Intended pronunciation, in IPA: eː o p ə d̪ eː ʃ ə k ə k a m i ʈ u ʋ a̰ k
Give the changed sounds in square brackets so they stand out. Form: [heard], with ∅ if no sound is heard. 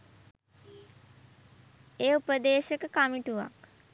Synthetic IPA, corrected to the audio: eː [u] p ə d̪ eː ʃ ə k ə k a m i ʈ u ʋ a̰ k